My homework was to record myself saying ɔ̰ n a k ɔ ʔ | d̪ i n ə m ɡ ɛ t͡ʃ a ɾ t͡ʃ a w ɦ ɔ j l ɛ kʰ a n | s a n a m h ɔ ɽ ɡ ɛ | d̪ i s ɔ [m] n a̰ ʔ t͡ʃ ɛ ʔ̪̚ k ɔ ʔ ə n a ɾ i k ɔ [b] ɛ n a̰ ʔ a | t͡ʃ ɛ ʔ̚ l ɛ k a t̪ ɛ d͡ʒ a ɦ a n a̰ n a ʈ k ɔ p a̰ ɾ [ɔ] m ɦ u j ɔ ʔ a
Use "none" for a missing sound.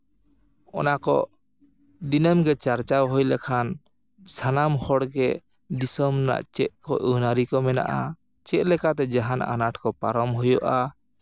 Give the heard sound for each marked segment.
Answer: m, m, ɔ

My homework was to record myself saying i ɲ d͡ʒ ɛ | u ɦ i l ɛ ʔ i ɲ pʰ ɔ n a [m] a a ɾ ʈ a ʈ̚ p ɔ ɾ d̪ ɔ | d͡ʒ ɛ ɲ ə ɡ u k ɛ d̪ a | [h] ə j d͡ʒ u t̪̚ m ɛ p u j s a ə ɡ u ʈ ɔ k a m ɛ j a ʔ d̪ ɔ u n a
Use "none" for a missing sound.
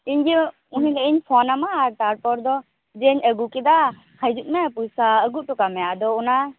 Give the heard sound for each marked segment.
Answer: m, h

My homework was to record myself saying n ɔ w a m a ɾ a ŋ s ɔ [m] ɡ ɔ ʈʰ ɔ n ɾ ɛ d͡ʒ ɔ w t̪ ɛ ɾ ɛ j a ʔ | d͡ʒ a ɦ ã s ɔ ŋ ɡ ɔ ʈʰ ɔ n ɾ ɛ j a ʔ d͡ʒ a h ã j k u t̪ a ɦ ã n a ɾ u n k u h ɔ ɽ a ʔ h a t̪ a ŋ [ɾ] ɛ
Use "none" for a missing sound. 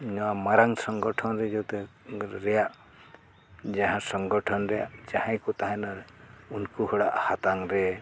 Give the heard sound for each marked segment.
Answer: ŋ, ɾ

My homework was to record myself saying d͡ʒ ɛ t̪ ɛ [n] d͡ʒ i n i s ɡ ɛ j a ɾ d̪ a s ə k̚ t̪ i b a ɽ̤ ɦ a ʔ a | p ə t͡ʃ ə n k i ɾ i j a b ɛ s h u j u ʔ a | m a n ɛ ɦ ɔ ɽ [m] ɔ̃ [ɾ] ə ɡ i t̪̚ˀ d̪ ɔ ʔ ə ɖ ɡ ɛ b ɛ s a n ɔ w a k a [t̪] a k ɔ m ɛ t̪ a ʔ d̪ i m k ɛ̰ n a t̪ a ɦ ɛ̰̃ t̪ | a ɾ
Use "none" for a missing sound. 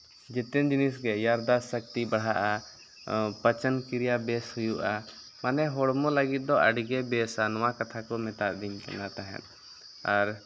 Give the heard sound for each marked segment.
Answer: n, m, l, t̪ʰ

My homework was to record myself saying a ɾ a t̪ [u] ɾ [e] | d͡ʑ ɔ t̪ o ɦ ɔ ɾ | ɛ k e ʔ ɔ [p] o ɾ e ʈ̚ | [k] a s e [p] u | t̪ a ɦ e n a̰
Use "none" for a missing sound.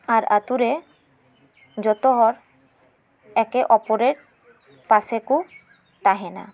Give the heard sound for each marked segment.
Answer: u, e, p, p, k

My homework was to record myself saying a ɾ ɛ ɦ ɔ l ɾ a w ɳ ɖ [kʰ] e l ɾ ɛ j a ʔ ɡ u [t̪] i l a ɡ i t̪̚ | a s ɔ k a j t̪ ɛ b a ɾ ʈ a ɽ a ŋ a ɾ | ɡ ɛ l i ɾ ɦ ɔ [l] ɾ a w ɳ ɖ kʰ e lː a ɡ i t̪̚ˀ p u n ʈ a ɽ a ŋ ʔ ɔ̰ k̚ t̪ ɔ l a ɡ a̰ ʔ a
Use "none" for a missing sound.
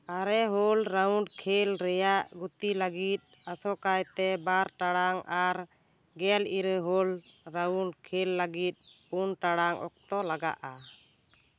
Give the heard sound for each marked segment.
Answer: kʰ, t̪, l

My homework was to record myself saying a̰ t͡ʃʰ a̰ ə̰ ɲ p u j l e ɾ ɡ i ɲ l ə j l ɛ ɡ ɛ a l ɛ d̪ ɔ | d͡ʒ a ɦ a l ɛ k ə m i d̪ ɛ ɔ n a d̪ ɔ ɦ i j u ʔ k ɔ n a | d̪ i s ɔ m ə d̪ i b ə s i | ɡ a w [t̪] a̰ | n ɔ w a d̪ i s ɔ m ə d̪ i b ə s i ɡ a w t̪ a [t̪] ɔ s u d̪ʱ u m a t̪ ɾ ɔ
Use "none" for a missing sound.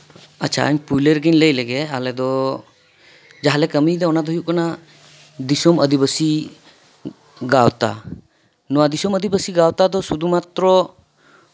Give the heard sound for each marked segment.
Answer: t̪, d̪

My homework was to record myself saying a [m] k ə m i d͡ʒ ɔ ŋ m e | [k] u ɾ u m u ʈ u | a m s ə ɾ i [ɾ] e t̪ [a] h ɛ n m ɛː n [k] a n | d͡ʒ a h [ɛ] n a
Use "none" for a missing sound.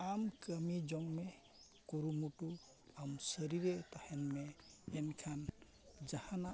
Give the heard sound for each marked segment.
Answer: m, k, ɾ, a, kʰ, a

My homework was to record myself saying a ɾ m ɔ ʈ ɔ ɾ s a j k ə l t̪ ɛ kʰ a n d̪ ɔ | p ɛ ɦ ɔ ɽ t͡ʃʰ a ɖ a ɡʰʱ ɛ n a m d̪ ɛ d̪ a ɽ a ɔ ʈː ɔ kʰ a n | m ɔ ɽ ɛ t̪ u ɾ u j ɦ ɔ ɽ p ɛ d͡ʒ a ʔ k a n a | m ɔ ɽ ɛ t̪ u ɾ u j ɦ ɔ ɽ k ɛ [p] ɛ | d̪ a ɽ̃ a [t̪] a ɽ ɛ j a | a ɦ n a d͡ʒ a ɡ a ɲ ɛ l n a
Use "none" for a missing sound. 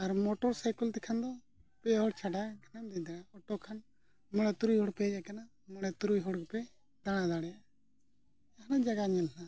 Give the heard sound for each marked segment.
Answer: p, d̪

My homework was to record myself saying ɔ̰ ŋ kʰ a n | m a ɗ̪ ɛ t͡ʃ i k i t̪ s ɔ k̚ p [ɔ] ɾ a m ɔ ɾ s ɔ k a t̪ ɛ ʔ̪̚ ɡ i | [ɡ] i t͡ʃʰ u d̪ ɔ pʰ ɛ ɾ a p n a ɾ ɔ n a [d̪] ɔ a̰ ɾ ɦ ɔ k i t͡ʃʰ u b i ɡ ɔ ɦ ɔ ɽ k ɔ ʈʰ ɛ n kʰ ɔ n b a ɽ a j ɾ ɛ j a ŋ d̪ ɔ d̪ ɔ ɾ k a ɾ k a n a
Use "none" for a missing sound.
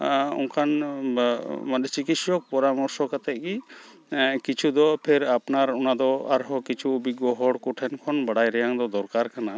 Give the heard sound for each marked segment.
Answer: ɔ, k, d̪

